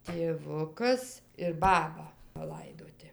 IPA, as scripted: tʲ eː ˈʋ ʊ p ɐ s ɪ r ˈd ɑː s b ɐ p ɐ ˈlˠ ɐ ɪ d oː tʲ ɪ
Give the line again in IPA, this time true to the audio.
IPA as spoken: tʲ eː ˈʋ ʊ k ɐ s ɪ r ˈb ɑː b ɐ p ɐ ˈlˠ ɐ ɪ d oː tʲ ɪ

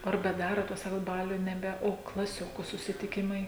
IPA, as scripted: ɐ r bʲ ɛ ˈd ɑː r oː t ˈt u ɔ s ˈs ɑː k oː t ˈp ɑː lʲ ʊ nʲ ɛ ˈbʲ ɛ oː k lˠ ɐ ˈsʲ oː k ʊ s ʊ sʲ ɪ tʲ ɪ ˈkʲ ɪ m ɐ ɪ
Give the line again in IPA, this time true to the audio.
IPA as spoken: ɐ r bʲ ɛ ˈd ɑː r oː t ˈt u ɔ s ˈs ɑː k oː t ˈb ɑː lʲ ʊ nʲ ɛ ˈbʲ ɛ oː k lˠ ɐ ˈsʲ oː k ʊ s ʊ sʲ ɪ tʲ ɪ ˈkʲ ɪ m ɐ ɪ

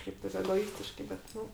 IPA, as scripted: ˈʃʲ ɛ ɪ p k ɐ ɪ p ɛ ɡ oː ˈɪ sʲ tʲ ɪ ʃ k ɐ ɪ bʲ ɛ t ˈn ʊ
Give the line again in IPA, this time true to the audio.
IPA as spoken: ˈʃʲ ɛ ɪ p t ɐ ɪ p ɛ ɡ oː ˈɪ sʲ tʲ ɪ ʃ k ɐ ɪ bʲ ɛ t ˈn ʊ

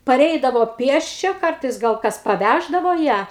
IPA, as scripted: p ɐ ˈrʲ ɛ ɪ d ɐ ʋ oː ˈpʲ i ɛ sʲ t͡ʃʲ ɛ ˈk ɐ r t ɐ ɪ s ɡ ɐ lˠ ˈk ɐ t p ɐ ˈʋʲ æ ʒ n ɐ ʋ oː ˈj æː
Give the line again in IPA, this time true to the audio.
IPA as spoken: p ɐ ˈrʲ ɛ ɪ d ɐ ʋ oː ˈpʲ i ɛ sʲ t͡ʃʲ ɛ ˈk ɐ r t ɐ ɪ s ɡ ɐ lˠ ˈk ɐ s p ɐ ˈʋʲ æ ʒ d ɐ ʋ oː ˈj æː

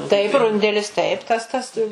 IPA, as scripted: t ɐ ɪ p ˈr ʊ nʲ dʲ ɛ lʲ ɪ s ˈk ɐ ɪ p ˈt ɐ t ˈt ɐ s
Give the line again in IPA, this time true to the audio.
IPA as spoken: t ɐ ɪ p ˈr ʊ nʲ dʲ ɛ lʲ ɪ s ˈt ɐ ɪ p ˈt ɐ s ˈt ɐ s

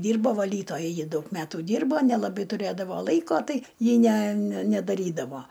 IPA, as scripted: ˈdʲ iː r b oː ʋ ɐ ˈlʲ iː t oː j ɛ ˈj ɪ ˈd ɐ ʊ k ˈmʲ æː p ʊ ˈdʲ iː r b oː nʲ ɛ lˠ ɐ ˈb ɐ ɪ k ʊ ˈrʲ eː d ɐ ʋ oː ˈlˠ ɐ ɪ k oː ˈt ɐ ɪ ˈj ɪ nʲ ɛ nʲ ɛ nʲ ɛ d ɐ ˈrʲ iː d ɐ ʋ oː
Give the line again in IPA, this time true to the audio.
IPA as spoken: ˈdʲ iː r b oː ʋ ɐ ˈlʲ iː t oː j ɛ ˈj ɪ ˈd ɐ ʊ k ˈmʲ æː t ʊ ˈdʲ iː r b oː nʲ ɛ lˠ ɐ ˈb ɐ ɪ t ʊ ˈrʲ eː d ɐ ʋ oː ˈlˠ ɐ ɪ k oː ˈt ɐ ɪ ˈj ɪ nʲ ɛ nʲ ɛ nʲ ɛ d ɐ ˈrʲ iː d ɐ ʋ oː

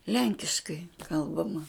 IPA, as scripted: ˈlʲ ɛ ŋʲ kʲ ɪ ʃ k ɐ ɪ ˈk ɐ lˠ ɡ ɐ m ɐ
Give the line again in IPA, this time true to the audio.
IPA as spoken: ˈlʲ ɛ ŋʲ kʲ ɪ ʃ k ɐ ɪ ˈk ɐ lˠ b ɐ m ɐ

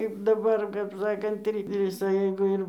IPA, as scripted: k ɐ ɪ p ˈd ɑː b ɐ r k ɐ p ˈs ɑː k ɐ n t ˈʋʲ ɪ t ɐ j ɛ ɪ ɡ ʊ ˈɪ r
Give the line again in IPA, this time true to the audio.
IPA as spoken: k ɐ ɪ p ˈd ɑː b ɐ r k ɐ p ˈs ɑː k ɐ n t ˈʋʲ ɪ s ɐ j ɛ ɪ ɡ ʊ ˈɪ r

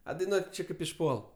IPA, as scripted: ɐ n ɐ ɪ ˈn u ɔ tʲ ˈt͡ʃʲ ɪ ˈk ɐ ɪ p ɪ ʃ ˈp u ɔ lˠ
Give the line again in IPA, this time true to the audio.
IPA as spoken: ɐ d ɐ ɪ ˈn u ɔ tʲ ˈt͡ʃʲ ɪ ˈk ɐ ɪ p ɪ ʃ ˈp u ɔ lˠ

